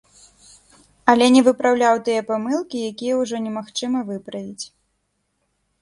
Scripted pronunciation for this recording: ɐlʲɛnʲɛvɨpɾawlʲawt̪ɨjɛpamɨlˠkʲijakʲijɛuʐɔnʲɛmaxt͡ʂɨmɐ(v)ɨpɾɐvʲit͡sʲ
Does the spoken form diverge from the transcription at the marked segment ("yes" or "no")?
no